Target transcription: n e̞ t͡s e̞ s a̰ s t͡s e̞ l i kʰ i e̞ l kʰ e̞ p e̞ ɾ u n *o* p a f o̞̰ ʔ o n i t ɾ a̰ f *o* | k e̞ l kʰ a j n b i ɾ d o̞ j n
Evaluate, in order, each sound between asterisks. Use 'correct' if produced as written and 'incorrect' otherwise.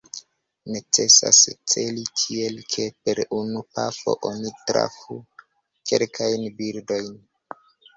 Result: incorrect: u, incorrect: u

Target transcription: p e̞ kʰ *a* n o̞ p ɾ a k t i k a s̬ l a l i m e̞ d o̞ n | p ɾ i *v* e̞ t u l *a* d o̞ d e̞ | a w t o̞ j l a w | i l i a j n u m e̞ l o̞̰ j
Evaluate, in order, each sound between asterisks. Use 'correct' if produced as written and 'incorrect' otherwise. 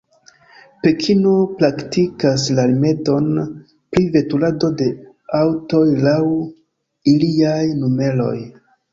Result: incorrect: i, correct, correct

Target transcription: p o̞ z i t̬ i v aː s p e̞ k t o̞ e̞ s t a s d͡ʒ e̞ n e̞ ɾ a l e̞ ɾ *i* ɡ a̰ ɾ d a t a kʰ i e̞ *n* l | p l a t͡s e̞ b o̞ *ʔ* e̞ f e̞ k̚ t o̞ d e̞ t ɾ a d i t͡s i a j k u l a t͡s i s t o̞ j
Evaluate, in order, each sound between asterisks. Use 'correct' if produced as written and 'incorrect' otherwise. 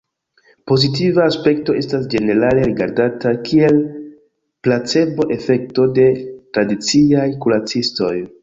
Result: correct, incorrect: none, correct

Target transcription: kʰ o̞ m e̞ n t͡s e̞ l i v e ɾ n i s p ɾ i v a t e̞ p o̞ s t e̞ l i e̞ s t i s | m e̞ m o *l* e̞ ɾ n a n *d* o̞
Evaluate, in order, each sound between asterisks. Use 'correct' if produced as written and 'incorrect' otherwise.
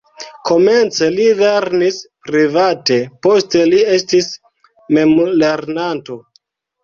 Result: correct, incorrect: t

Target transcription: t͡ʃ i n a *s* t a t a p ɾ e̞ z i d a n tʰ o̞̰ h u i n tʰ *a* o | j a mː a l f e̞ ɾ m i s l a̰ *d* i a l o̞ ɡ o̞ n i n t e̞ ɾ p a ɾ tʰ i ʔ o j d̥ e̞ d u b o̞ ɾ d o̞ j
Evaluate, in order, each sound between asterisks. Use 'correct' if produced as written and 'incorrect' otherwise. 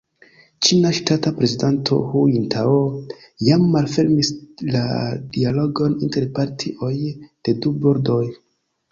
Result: incorrect: ʃ, correct, correct

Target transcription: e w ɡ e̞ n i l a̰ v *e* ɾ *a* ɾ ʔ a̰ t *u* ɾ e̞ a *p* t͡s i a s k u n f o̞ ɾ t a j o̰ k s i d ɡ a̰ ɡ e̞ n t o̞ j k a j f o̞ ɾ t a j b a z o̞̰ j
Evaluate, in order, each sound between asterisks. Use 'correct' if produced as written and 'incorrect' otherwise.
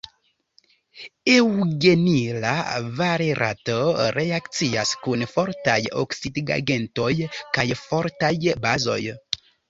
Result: incorrect: a, incorrect: e, incorrect: o, incorrect: k

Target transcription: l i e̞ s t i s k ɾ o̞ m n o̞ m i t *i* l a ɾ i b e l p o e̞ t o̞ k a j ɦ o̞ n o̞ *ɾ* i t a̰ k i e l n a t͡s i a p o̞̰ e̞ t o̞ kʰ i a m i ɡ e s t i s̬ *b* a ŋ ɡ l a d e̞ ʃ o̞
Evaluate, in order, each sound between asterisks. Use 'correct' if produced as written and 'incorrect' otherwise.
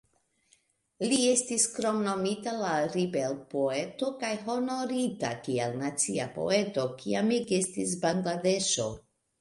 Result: incorrect: a, correct, correct

